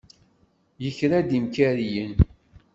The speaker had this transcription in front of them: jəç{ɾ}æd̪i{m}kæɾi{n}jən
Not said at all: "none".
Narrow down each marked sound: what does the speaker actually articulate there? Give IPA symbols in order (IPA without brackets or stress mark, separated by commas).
ɾ, m, none